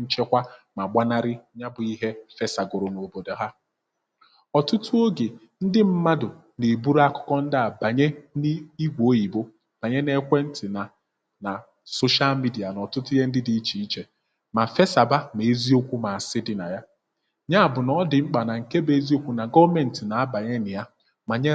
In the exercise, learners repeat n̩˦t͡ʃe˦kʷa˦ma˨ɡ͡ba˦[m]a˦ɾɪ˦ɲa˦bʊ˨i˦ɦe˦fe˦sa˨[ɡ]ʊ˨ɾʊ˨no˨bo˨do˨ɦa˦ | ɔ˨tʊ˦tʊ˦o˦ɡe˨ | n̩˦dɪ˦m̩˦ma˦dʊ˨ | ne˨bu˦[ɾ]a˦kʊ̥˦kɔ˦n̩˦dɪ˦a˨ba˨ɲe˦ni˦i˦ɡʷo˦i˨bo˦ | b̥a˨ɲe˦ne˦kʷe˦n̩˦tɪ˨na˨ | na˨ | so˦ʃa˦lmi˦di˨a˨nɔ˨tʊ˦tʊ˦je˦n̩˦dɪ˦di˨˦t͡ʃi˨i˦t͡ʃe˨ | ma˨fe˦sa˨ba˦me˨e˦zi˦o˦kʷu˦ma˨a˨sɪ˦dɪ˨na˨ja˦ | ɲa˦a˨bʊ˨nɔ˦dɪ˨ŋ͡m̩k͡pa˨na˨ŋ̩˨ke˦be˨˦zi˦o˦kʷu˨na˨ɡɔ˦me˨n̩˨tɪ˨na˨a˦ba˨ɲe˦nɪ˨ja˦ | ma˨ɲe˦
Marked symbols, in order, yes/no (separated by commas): no, yes, yes